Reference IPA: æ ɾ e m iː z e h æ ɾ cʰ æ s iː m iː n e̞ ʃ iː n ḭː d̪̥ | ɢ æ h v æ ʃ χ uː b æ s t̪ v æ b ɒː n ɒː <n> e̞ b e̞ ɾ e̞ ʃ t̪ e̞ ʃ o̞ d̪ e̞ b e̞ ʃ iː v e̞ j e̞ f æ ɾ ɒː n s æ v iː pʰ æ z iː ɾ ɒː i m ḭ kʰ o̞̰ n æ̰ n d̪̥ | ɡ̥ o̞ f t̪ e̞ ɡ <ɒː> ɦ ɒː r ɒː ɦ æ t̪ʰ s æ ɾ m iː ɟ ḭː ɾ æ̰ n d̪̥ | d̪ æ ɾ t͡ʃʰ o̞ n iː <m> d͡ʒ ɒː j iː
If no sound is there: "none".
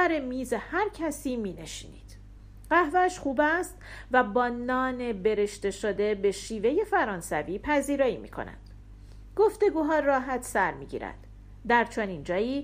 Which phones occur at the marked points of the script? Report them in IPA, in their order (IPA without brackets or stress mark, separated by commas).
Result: n, uː, n